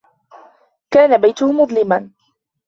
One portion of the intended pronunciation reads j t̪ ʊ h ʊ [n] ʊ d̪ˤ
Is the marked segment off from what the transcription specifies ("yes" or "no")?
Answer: yes